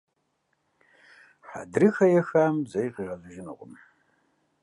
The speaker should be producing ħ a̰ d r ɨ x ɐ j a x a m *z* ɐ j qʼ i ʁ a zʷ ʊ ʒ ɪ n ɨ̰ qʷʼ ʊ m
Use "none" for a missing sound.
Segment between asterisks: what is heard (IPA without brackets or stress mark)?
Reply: z